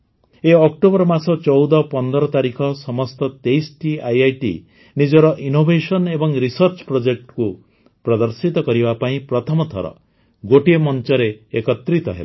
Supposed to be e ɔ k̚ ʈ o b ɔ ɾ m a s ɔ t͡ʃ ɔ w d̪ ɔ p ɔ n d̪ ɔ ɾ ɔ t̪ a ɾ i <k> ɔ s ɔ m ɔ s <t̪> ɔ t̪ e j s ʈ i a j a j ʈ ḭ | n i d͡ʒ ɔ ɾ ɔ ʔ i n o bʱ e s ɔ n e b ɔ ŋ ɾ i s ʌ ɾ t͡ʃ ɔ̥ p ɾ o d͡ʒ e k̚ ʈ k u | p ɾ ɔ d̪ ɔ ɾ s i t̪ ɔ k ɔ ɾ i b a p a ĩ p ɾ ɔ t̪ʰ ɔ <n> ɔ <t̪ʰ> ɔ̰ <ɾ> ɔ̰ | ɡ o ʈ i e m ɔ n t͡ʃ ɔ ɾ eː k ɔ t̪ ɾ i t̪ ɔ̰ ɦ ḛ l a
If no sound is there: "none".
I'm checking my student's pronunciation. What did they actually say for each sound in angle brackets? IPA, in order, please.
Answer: kʰ, t̪, m, t̪ʰ, ɾ

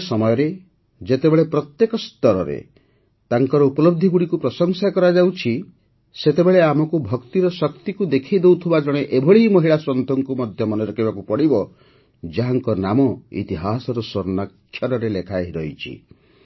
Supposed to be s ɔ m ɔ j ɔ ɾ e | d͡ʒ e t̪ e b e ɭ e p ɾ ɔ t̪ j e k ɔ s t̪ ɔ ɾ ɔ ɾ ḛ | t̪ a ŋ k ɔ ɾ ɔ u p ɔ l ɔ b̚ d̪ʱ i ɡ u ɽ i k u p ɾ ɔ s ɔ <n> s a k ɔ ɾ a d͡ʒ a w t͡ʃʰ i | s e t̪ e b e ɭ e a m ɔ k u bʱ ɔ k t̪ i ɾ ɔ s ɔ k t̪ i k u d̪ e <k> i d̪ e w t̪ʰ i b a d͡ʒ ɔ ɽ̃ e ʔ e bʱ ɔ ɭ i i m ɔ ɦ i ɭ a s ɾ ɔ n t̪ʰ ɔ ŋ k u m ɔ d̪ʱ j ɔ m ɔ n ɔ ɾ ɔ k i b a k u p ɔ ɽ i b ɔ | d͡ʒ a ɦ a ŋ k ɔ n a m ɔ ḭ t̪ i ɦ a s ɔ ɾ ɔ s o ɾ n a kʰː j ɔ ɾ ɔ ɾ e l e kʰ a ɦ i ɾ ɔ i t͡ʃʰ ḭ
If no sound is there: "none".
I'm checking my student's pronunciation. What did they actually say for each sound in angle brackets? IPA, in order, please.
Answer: ŋ, kʰ

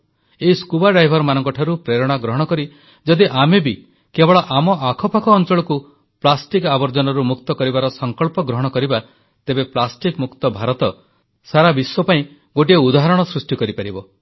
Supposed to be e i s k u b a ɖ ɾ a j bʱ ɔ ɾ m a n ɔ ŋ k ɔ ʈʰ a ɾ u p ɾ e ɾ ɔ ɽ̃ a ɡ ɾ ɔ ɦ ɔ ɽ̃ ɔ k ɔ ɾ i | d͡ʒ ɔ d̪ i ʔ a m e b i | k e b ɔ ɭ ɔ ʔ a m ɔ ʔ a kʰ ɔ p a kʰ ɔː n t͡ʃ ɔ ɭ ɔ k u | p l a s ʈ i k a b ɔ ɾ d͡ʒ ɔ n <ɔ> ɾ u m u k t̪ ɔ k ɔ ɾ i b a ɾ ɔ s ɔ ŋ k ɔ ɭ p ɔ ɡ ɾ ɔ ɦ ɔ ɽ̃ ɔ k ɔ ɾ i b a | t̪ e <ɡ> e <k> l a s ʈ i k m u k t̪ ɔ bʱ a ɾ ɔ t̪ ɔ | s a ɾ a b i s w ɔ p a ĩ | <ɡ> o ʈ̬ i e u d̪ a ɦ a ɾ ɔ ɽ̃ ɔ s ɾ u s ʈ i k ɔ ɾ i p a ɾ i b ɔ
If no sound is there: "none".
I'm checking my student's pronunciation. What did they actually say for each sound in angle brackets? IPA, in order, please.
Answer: ɔ, b, p, ɡ

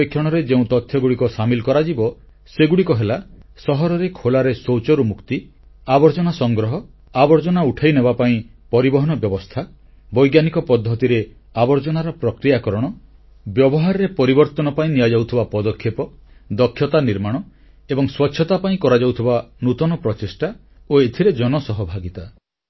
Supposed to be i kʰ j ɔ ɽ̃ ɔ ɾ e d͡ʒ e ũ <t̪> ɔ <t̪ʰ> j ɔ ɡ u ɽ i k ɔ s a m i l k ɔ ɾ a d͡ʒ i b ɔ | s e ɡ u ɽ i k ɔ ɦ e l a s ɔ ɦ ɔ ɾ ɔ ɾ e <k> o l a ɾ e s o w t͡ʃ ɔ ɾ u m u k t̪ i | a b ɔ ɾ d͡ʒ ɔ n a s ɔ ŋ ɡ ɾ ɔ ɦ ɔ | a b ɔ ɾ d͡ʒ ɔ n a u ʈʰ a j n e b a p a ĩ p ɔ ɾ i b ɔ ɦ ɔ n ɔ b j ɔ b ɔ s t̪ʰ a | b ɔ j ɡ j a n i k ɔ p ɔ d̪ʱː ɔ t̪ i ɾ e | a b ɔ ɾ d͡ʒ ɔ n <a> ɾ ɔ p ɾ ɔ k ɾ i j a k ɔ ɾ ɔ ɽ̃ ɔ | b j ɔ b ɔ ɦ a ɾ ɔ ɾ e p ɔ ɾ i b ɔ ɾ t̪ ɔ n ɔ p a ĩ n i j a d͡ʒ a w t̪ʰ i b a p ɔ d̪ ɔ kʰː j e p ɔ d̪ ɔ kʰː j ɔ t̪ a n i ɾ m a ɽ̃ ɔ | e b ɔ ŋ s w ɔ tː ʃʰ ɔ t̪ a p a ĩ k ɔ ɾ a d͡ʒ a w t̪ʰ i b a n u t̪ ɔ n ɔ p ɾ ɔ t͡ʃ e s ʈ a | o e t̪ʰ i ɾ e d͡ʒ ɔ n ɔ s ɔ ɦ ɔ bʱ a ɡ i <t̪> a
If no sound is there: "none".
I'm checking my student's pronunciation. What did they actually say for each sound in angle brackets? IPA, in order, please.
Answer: t̪, t̪ʰ, kʰ, a, t̪

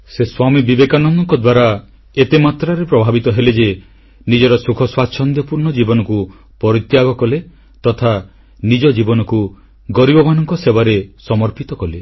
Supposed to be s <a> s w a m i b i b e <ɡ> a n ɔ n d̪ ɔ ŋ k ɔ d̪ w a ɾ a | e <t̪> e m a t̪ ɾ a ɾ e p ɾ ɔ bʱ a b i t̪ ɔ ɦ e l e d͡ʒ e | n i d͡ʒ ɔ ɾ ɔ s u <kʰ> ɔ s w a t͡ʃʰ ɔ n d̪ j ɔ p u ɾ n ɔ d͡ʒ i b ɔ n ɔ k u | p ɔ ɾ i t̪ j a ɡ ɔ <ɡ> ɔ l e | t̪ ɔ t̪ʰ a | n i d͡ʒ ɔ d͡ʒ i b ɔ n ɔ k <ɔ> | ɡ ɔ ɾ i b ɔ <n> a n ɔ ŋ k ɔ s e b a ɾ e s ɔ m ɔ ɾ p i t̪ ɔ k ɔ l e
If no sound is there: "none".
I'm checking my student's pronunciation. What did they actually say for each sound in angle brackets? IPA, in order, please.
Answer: e, k, t̪, kʰ, k, u, m

